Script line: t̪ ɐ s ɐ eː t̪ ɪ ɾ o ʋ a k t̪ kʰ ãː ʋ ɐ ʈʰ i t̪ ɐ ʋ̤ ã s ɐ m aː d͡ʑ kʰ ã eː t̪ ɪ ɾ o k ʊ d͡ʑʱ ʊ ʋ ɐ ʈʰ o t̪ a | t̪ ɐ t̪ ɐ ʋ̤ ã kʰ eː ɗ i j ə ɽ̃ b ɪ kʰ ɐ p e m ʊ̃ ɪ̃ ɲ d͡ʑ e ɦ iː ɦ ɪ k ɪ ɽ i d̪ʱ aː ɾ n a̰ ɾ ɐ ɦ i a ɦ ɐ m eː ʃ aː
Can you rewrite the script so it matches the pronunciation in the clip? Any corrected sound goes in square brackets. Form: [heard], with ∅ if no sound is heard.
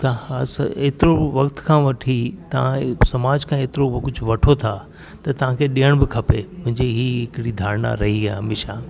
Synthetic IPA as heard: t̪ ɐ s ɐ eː t̪ ɪ ɾ o ʋ [ɐ] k t̪ kʰ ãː ʋ ɐ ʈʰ i t̪ ɐ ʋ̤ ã s ɐ m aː d͡ʑ kʰ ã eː t̪ ɪ ɾ o k ʊ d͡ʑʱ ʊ ʋ ɐ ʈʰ o [t̪ʰ] a | t̪ ɐ t̪ ɐ ʋ̤ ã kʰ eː ɗ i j ə ɽ̃ b ɪ kʰ ɐ p e m ʊ̃ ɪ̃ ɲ d͡ʑ e ɦ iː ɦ ɪ k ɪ ɽ i d̪ʱ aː ɾ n a̰ ɾ ɐ ɦ i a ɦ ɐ m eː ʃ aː